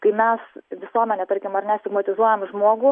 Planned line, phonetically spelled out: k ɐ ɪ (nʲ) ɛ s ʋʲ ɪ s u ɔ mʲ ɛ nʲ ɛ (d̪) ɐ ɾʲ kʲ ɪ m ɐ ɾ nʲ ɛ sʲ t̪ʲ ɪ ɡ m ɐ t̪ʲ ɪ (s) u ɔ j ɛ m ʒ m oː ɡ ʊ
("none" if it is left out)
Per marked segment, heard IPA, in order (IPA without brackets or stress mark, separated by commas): mʲ, t̪, z